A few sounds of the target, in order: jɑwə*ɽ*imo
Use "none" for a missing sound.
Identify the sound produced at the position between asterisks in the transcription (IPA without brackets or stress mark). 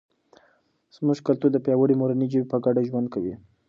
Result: ɽ